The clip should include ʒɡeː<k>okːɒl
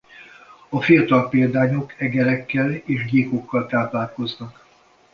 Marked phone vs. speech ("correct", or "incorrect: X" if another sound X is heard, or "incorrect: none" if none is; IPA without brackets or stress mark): correct